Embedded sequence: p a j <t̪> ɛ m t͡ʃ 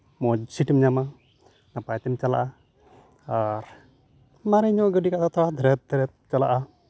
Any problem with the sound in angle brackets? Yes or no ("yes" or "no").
no